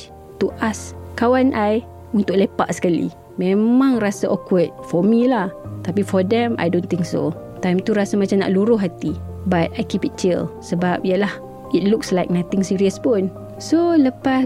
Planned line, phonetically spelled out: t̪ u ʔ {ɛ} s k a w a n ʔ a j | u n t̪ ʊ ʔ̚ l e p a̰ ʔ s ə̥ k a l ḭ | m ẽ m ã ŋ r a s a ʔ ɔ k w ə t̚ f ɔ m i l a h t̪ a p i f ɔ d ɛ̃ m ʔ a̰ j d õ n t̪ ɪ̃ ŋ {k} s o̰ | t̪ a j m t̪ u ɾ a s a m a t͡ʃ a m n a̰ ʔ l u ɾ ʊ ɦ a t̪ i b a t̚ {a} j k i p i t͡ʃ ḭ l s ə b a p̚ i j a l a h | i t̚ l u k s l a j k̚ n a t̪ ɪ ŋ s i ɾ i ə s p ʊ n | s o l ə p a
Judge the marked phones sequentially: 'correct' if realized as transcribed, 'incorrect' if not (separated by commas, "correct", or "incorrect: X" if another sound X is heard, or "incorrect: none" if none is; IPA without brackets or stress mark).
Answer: incorrect: a, correct, correct